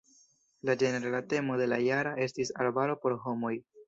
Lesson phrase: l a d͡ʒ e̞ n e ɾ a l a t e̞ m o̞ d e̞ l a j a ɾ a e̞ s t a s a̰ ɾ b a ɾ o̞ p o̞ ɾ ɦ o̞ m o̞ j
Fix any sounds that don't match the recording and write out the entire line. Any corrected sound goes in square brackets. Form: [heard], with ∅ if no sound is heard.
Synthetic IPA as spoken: l a d͡ʒ e̞ n e ɾ a l a t e̞ m o̞ d e̞ l a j a ɾ a e̞ s t [i] s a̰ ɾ b a ɾ o̞ p o̞ ɾ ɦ o̞ m o̞ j